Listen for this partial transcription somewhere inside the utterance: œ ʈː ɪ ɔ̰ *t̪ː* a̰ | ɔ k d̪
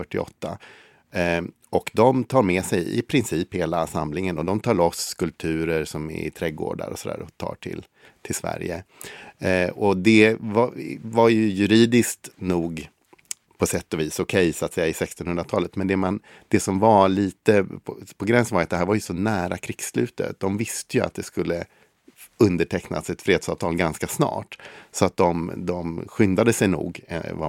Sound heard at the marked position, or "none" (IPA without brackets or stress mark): t̪ː